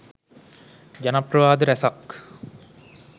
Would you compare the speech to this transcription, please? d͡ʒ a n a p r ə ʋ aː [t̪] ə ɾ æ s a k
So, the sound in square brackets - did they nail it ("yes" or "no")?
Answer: no